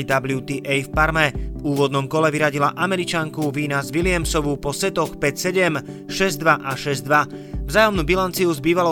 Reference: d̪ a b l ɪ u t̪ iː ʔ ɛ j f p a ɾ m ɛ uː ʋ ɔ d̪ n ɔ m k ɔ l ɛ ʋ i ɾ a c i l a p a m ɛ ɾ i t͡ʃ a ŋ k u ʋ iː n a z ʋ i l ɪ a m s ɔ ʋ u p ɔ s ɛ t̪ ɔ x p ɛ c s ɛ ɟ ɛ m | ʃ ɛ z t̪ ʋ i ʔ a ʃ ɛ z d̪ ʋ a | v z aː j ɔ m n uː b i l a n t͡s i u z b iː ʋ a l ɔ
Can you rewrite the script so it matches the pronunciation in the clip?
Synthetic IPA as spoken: d̪ a b l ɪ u t̪ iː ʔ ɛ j f p a ɾ m ɛ uː ʋ ɔ d̪ n ɔ m k ɔ l ɛ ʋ i ɾ a ɟ i l a ʔ a m ɛ ɾ i t͡ʃ a ŋ k u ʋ iː n a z ʋ i l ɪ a m s ɔ ʋ u p ɔ s ɛ t̪ ɔ x p ɛ c s ɛ ɟ ɛ m | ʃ ɛ z d̪ ʋ a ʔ a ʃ ɛ z d̪ ʋ a | v z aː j ɔ m n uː b i l a n t͡s i u z b iː ʋ a l ɔ